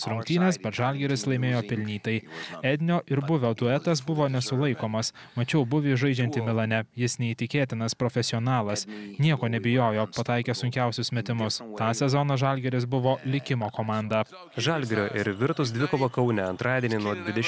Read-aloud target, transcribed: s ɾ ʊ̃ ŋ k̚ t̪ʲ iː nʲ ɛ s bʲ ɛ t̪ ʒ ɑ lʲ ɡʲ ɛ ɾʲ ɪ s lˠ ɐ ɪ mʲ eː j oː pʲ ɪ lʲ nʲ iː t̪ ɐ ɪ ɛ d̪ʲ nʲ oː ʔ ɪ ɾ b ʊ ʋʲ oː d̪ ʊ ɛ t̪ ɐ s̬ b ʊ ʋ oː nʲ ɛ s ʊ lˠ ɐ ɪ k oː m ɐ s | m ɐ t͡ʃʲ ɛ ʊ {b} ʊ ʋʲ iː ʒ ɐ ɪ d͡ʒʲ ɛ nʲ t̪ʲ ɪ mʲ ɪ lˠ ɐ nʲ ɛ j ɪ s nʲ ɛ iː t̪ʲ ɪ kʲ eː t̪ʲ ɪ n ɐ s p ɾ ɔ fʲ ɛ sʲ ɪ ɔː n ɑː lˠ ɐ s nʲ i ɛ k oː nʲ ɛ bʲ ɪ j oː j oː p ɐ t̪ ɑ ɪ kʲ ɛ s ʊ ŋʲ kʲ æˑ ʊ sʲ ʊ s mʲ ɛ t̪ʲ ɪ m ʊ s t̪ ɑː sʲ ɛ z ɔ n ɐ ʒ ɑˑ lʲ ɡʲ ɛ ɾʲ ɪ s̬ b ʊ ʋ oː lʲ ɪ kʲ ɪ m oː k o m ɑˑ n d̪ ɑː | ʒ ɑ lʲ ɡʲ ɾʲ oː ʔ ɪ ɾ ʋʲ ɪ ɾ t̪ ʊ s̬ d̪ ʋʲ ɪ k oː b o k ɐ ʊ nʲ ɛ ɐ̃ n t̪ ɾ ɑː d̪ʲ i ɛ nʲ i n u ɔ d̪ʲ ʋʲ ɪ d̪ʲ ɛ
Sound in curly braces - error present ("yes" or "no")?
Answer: no